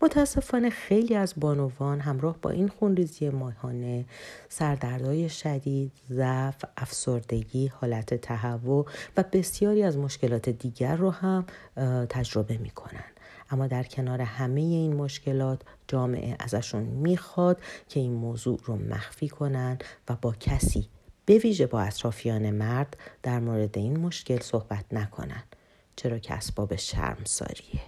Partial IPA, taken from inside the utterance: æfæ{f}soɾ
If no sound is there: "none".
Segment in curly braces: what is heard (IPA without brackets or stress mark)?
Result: f